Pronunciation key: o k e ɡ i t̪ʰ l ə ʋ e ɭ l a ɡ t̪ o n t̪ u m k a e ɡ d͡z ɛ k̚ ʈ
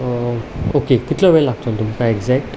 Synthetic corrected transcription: o k e k i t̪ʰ l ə ʋ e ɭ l a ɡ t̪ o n t̪ u m k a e ɡ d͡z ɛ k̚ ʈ

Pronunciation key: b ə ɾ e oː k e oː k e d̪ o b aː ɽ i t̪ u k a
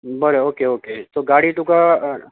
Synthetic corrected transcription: b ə ɾ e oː k e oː k e t̪ o ɡ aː ɽ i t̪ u k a

